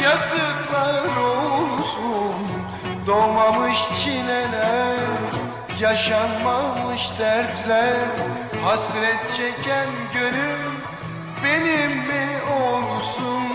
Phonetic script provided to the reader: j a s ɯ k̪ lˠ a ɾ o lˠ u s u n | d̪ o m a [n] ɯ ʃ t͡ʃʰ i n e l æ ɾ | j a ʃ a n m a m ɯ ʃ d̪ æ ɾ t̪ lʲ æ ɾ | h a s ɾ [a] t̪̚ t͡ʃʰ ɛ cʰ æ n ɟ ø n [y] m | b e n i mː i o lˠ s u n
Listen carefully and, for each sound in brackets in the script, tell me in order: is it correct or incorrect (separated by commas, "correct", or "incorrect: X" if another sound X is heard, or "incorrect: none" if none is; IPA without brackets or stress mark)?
incorrect: m, incorrect: ɛ, correct